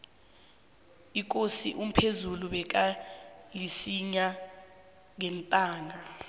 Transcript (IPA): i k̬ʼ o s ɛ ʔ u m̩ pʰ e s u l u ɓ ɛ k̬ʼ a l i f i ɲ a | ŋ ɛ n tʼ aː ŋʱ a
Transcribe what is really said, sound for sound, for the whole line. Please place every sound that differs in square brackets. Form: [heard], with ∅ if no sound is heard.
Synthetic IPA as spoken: i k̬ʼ o s [i] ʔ u m̩ pʰ e [z] u l u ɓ ɛ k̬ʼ a l i [s] i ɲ a | ŋ ɛ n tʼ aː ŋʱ a